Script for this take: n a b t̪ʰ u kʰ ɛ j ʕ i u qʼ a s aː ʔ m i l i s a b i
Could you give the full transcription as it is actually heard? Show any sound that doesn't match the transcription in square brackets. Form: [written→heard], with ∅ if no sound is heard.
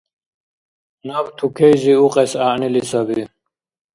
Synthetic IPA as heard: n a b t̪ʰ u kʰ ɛ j [ʕ→z] i u qʼ [a→ɛ] s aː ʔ [m→n] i l i s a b i

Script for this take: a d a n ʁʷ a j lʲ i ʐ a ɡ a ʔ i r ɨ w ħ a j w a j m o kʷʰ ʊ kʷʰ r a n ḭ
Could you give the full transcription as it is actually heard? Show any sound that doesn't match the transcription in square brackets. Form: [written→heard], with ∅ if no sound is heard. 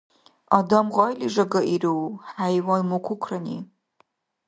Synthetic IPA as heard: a d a [n→m] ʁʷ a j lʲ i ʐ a ɡ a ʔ i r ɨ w ħ a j w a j m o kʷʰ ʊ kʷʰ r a n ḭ

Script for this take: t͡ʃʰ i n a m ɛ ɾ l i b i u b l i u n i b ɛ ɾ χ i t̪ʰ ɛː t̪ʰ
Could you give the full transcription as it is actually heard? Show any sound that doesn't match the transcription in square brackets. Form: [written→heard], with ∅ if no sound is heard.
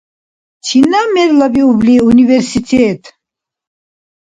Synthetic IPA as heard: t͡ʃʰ i n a m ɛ ɾ l [i→a] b i u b l i u n i [b→v] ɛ ɾ [χ→s] i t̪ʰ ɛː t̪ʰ

